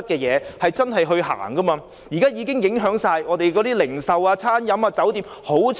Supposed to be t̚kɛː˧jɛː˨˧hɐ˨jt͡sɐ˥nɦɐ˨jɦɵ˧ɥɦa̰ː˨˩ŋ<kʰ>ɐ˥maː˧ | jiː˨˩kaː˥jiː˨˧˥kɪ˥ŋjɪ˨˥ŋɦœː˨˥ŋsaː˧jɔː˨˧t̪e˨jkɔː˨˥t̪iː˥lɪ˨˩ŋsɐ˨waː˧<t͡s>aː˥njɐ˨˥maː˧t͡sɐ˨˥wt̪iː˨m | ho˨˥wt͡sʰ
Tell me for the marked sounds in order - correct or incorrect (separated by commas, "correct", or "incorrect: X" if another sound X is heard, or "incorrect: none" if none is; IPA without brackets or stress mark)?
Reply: incorrect: k, incorrect: t͡sʰ